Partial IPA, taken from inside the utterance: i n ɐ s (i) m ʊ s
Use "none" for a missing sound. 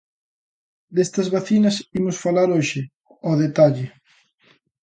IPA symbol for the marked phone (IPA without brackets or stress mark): i